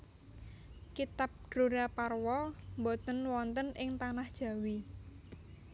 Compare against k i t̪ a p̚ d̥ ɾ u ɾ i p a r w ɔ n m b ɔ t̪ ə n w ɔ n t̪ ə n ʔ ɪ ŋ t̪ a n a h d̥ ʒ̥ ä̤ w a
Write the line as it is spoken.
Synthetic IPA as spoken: k i t̪ a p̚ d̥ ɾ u ɾ a p a r w ɔ m b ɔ t̪ ə n w ɔ n t̪ ə n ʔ ɪ ŋ t̪ a n a h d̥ ʒ̥ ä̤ w i